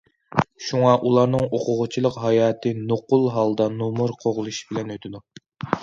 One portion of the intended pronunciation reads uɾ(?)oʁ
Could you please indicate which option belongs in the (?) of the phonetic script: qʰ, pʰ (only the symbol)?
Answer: qʰ